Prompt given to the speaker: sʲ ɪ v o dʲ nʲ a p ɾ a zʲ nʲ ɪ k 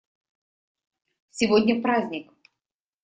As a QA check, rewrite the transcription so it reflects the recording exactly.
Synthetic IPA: sʲ ɪ v o dʲ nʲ ə p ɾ a zʲ nʲ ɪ k